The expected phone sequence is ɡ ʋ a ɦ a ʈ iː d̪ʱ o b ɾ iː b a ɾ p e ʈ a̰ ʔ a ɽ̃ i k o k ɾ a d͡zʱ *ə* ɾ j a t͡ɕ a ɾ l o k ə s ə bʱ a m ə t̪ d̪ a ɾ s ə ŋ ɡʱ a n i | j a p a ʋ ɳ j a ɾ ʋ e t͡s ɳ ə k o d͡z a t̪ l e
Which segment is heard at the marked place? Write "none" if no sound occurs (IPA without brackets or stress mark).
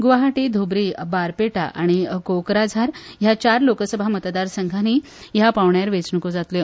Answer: a